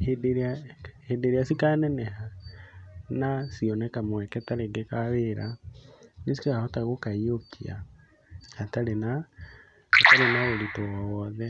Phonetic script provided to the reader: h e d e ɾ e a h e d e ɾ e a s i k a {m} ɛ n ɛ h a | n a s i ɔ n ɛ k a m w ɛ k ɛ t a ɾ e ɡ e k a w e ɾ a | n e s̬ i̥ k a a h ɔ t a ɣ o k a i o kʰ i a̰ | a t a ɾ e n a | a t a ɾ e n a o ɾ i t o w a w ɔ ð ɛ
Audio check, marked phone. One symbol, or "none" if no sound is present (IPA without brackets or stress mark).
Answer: n